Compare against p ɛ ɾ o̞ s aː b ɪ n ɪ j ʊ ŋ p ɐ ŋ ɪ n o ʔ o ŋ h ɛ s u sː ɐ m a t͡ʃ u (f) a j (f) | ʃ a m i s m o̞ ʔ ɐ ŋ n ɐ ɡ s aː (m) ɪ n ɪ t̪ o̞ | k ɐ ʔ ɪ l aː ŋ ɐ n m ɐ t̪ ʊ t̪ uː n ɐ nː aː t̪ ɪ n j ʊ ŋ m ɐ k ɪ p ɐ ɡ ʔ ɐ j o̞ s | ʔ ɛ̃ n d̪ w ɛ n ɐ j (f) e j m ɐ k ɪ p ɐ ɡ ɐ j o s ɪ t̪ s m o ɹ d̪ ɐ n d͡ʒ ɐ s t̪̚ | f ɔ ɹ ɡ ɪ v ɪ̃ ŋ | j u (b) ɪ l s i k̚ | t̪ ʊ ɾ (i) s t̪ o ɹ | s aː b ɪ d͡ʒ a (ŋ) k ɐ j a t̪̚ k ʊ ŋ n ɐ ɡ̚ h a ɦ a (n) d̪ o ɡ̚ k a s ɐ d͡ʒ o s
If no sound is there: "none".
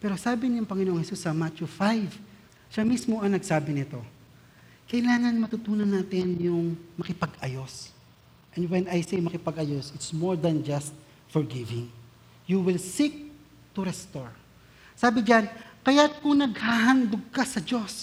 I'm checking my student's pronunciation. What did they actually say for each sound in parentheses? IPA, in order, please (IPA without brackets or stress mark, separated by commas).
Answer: f, v, b, s, w, ɛ, n, n